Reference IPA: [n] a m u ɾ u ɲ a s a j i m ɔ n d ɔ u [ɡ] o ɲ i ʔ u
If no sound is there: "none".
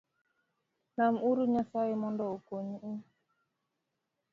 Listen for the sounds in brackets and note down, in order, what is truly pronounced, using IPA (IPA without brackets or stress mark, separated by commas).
n, k